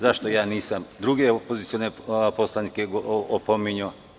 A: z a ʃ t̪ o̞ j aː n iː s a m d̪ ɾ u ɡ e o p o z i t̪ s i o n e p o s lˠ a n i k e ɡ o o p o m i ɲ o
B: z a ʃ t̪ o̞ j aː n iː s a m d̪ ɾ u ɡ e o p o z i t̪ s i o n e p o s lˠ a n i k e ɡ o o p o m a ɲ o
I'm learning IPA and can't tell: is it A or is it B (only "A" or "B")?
A